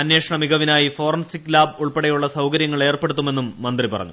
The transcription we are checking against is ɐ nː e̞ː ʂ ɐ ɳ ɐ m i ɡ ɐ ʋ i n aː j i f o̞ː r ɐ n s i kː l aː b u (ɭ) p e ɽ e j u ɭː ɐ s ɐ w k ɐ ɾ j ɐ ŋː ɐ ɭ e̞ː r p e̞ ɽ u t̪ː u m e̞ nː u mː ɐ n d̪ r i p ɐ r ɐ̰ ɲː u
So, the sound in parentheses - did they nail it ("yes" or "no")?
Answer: yes